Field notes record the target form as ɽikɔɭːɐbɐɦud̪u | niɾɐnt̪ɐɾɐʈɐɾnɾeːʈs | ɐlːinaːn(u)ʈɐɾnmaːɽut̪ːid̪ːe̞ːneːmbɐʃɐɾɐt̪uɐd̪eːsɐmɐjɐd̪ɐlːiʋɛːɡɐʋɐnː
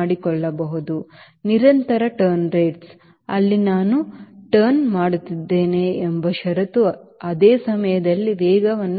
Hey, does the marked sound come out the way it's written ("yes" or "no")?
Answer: yes